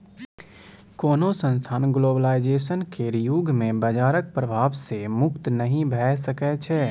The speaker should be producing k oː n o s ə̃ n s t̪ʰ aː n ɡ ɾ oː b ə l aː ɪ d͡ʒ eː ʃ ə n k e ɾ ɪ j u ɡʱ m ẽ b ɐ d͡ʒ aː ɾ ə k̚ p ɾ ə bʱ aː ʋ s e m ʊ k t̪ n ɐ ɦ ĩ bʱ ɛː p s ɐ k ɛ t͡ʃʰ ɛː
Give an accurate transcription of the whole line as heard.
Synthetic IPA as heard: k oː n o s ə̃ n s t̪ʰ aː n ɡ l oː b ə l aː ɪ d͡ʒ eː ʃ ə n k e ɾ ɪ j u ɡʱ m ẽ b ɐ d͡ʒ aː ɾ ə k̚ p ɾ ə bʱ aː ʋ s e m ʊ k t̪ n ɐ ɦ ĩ bʱ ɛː s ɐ k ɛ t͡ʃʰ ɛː